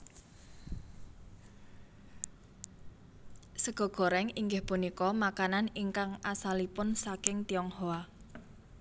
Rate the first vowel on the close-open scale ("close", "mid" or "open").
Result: mid